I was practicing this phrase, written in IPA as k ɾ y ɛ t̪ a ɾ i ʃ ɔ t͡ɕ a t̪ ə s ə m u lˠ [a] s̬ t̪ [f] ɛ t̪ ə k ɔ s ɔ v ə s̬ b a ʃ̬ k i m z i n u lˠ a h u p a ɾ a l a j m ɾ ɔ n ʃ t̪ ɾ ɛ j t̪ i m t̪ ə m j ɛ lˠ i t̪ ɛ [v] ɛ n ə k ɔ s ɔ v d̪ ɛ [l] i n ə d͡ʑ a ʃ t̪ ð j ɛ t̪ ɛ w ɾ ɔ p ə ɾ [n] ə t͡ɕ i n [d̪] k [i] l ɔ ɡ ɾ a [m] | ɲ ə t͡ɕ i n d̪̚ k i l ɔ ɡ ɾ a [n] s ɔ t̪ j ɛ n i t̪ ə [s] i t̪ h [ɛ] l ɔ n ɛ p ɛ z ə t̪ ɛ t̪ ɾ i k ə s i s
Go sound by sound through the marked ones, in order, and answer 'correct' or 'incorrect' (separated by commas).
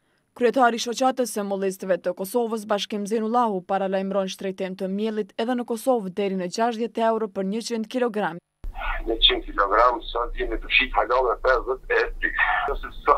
incorrect, incorrect, incorrect, incorrect, incorrect, correct, correct, correct, incorrect, incorrect, incorrect